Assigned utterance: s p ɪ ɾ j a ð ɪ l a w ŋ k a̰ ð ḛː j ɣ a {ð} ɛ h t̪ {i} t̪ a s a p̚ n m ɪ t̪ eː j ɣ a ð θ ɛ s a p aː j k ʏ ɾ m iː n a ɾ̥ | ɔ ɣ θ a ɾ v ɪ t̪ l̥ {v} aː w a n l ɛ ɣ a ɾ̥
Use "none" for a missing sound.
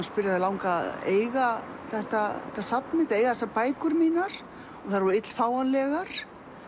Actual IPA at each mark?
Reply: θ, a, f

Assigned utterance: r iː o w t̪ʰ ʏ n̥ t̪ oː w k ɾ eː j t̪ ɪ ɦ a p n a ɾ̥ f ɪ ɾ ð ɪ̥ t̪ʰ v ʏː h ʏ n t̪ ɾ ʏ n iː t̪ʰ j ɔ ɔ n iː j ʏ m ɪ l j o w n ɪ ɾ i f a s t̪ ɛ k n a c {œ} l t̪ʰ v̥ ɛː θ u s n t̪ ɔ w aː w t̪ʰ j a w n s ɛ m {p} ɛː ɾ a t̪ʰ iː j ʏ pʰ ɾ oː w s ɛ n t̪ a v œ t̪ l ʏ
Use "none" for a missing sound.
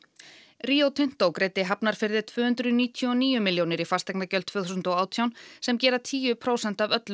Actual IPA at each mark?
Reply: œ, c

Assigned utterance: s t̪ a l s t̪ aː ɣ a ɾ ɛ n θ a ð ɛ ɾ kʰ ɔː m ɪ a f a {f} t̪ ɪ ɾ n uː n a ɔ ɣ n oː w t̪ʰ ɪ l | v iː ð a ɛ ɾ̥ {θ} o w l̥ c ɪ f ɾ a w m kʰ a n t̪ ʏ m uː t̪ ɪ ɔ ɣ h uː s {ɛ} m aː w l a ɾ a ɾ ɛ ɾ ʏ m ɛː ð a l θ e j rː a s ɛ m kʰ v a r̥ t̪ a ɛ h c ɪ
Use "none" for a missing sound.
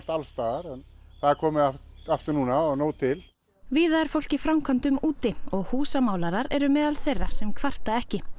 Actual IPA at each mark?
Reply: f, f, a

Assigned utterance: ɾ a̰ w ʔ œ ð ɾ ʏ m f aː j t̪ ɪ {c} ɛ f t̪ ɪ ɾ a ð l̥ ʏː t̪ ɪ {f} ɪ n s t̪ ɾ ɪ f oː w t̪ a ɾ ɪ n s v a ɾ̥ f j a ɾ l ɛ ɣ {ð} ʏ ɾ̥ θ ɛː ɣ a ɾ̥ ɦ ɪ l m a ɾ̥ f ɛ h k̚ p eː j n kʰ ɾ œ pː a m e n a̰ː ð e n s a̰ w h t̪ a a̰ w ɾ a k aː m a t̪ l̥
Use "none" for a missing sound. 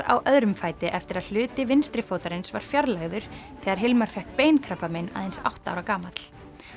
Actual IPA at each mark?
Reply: ʔ, v, ð

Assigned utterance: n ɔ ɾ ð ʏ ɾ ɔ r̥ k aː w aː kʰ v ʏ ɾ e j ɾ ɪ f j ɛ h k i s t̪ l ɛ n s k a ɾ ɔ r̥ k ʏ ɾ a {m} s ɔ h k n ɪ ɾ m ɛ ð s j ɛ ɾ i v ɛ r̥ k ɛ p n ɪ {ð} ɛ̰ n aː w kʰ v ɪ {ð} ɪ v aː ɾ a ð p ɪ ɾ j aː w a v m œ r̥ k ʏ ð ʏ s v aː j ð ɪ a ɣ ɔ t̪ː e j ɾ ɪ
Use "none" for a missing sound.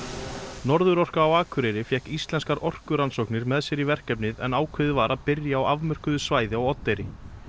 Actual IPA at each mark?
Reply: n, ð, ð

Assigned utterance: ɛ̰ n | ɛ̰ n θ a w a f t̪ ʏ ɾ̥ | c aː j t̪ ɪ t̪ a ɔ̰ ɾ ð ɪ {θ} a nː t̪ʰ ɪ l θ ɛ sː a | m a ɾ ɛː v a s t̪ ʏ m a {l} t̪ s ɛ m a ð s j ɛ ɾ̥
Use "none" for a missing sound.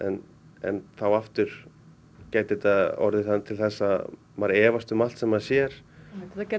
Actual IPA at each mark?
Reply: θ, l

